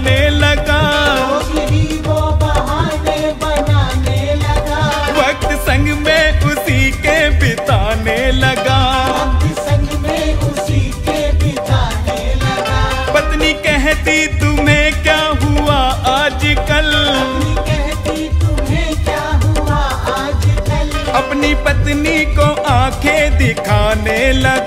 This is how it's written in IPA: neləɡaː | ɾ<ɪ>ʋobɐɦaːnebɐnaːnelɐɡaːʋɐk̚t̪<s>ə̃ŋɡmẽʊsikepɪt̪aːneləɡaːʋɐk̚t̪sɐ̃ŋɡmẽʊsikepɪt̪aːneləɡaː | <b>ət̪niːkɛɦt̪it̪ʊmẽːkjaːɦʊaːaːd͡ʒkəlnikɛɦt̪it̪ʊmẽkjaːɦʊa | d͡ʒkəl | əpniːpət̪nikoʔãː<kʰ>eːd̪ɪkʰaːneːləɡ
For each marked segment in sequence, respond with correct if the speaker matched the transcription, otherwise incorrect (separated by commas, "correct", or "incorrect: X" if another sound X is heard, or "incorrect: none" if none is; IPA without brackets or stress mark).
incorrect: i, correct, incorrect: p, correct